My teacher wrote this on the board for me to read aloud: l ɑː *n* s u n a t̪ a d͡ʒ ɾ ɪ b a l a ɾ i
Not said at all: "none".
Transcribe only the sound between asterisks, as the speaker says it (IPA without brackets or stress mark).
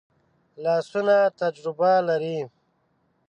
none